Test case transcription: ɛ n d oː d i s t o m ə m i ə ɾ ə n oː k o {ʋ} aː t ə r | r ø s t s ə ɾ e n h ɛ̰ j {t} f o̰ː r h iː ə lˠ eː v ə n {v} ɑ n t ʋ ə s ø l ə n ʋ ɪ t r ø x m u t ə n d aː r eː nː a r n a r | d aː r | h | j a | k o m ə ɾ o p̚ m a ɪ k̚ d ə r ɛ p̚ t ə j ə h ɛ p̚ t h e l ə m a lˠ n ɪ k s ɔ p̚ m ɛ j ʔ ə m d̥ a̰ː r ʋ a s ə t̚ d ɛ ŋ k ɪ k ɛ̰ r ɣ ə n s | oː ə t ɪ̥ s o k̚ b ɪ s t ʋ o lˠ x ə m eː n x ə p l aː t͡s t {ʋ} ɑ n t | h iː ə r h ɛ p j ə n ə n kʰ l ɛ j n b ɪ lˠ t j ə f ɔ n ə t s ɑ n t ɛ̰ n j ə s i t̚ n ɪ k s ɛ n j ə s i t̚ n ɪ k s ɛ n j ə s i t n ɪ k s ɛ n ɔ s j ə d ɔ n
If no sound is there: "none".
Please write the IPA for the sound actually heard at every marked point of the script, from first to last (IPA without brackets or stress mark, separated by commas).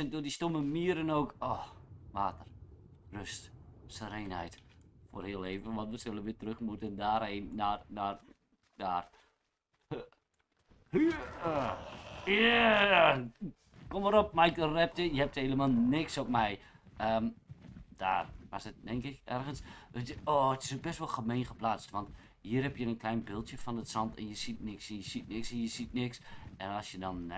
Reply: ʋ, t, ʋ, ʋ